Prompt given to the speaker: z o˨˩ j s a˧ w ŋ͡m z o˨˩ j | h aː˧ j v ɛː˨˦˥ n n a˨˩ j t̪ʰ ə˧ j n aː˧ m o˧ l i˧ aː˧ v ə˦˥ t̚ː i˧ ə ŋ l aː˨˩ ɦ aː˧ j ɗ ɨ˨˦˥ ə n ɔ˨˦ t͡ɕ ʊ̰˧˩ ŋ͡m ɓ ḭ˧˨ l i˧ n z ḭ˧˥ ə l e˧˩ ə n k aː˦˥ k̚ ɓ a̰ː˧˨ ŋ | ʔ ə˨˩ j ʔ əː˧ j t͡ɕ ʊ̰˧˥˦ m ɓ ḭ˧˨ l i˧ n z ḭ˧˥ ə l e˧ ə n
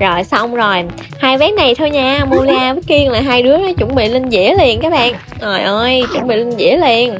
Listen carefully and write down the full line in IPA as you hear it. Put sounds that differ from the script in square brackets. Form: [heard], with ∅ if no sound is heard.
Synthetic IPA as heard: z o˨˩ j s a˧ w ŋ͡m z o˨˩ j | h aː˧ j v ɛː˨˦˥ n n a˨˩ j t̪ʰ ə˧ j [ɲ] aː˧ m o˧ l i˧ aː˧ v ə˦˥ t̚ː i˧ ə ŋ l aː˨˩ ɦ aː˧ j ɗ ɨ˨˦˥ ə n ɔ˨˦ t͡ɕ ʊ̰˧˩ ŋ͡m ɓ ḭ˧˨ l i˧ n z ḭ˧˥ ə l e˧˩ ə n k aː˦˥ k̚ ɓ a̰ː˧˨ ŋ | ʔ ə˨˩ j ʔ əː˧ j t͡ɕ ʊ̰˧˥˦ [ŋ͡m] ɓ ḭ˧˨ l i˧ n z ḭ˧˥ ə l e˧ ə n